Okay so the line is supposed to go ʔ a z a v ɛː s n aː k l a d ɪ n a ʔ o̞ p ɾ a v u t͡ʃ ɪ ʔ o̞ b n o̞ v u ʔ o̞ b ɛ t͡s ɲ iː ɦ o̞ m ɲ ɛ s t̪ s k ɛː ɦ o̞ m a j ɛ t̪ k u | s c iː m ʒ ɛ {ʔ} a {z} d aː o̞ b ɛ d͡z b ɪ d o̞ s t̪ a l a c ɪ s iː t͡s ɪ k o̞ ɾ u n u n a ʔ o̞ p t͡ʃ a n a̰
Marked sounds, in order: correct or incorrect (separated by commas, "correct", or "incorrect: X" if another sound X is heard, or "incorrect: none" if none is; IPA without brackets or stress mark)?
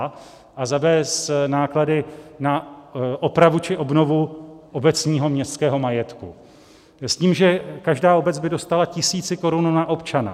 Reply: incorrect: k, incorrect: ʒ